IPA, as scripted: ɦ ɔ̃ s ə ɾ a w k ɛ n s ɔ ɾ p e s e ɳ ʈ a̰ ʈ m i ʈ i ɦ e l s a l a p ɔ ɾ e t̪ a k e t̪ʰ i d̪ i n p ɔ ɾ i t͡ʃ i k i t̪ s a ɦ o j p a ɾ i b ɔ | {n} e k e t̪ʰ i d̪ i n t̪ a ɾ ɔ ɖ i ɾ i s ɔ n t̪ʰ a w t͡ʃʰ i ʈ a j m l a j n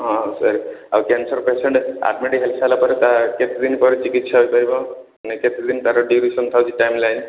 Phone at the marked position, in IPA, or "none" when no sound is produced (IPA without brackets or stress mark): n